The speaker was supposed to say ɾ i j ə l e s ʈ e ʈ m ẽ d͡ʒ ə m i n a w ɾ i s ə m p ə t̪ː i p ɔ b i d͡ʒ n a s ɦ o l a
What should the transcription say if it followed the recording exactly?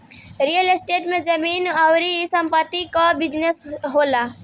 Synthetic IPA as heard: ɾ i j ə l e s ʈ e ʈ m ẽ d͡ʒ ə m i n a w ɾ i s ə m p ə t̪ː i k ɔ b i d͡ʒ n e s ɦ o l a